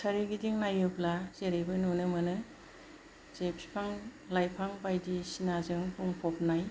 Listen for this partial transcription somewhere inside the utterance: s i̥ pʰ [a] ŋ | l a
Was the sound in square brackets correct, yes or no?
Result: yes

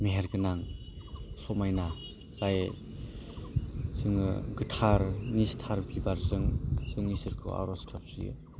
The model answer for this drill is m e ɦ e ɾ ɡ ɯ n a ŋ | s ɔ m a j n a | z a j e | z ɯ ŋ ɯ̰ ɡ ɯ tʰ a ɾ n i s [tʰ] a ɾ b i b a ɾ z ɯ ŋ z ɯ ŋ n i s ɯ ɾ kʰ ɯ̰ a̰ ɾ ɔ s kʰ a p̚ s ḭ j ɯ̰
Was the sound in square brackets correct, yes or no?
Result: yes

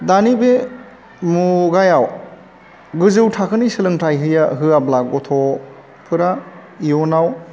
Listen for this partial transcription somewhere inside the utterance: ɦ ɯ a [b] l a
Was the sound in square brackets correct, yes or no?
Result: yes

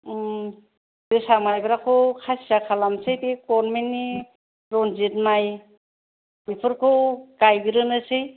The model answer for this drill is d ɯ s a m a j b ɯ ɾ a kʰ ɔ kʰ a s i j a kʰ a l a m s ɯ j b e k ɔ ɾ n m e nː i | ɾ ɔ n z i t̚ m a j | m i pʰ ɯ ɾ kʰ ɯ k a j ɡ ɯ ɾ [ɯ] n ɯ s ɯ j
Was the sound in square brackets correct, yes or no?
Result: yes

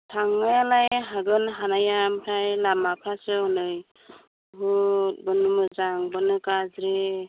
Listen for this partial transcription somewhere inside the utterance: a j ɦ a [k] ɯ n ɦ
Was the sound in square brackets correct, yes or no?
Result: no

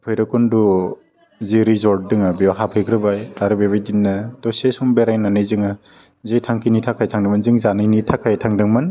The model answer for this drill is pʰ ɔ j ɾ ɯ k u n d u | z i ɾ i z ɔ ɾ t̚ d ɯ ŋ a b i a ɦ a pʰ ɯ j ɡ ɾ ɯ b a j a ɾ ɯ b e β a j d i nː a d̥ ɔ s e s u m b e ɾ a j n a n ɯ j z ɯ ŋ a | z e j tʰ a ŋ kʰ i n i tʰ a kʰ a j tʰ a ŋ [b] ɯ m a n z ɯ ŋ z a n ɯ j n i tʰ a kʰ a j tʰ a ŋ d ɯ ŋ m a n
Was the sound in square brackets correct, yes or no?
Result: no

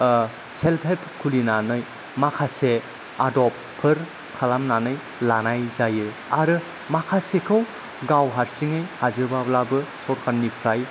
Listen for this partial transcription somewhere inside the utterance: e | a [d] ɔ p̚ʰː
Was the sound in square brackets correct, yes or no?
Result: yes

